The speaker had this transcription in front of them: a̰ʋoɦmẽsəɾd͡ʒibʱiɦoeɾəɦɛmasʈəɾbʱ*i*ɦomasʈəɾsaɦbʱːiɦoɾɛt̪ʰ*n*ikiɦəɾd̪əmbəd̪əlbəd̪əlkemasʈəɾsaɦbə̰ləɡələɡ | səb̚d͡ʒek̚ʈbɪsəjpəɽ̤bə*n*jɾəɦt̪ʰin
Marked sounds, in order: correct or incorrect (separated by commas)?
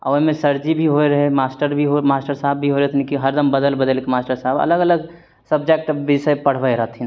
correct, correct, incorrect